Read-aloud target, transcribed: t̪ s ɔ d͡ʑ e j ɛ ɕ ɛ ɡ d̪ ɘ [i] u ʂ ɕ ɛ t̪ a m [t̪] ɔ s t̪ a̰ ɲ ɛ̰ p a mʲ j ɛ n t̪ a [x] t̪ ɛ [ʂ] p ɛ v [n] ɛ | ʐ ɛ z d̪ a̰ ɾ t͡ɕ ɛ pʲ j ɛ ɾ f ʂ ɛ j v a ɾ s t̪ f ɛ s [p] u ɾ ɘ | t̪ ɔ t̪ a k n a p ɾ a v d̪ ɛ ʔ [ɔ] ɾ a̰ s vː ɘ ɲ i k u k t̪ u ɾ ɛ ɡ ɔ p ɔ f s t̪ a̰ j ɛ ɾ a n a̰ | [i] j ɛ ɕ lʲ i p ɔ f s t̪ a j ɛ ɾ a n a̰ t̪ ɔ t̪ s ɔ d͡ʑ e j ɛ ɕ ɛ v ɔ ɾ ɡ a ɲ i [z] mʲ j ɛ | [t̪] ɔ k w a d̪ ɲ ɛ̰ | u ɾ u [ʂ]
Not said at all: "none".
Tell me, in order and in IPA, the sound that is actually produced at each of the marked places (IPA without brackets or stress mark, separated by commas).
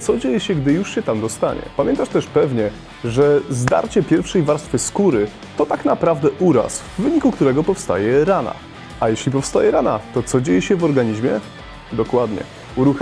j, d̪, ʂ, ʂ, ɲ, k, u, a, ʑ, d̪, x